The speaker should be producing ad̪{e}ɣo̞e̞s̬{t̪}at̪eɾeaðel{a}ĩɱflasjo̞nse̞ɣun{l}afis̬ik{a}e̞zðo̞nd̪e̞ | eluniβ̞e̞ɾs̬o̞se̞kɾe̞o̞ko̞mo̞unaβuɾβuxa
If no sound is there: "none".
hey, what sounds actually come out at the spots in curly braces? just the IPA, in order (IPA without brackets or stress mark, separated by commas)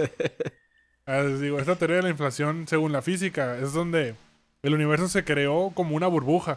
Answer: i, t̪, a, l, a